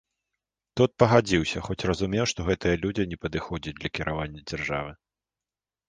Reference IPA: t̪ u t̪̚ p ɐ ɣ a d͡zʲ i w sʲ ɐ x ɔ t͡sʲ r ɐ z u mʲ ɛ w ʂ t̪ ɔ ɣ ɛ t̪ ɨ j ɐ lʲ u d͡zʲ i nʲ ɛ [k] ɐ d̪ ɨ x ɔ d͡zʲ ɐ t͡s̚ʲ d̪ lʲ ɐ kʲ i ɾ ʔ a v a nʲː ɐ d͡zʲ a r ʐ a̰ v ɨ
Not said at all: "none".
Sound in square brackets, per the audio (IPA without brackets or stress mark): p